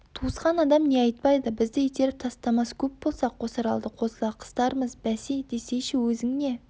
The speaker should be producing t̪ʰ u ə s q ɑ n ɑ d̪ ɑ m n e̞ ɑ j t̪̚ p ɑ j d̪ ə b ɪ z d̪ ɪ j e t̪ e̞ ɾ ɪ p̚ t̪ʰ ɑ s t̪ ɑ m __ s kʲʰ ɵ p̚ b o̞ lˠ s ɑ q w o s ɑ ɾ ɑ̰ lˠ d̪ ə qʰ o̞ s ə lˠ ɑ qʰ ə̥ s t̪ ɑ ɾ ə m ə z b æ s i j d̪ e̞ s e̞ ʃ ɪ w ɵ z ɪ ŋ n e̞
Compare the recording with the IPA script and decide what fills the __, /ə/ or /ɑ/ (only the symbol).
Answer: ɑ